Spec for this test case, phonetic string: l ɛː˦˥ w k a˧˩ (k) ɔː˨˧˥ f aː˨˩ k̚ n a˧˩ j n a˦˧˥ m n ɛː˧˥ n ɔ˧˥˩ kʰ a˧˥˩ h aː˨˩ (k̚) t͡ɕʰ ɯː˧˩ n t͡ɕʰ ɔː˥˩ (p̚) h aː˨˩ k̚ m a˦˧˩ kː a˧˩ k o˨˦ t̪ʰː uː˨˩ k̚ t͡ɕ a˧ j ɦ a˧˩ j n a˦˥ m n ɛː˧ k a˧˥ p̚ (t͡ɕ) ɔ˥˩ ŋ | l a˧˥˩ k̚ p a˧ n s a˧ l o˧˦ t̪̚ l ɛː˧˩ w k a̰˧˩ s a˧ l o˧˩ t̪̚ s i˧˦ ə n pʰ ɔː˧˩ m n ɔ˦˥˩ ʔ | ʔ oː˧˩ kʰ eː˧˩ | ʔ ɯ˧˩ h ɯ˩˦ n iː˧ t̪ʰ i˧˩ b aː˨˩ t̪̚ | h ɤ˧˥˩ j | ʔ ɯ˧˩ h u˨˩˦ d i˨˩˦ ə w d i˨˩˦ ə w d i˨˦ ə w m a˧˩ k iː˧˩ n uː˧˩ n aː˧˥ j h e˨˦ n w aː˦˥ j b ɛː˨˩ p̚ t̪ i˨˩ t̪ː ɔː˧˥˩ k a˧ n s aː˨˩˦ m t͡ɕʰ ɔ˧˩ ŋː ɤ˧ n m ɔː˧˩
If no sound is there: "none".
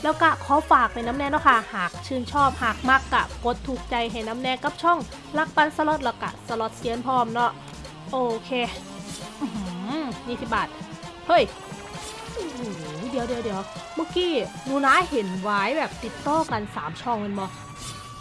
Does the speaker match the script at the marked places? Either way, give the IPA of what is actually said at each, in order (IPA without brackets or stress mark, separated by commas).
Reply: kʰ, k̚, p̚, t͡ɕʰ